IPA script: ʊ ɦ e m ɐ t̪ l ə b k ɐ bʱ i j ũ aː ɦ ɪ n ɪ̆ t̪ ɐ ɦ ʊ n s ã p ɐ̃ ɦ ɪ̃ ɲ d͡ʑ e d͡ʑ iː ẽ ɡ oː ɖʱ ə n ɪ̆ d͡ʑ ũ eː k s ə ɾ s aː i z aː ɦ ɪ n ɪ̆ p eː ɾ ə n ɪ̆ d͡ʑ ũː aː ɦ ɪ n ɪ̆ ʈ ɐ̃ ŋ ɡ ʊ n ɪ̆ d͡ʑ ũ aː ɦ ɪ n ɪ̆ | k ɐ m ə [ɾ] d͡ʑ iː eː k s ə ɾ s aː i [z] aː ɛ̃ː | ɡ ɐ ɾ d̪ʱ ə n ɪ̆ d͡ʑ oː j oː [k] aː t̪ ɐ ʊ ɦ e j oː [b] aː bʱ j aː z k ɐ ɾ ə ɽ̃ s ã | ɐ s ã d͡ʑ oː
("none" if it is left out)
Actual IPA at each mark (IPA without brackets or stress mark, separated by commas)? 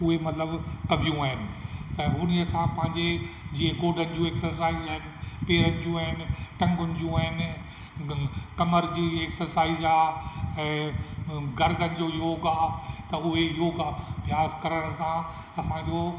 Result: ɾ, z, ɡ, ɡ